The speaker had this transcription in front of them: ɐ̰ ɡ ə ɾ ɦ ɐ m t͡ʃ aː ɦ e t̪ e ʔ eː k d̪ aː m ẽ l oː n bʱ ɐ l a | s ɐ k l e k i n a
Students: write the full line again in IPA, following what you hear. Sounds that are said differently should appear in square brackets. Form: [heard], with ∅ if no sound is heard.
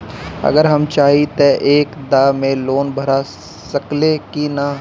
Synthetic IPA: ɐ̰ ɡ ə ɾ ɦ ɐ m t͡ʃ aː ɦ [i] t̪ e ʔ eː k d̪ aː m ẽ l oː n bʱ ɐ [ɾ] a | s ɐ k l e k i n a